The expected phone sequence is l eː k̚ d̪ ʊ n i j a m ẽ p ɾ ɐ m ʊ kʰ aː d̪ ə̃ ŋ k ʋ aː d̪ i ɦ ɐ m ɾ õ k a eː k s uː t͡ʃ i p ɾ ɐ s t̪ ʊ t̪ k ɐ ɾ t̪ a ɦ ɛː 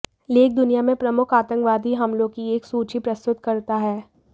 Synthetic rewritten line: l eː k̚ d̪ ʊ n i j a m ẽ p ɾ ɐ m ʊ kʰ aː t̪ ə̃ ŋ k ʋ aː d̪ i ɦ ɐ m l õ k i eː k s uː t͡ʃ i p ɾ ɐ s t̪ ʊ t̪ k ɐ ɾ t̪ a ɦ ɛː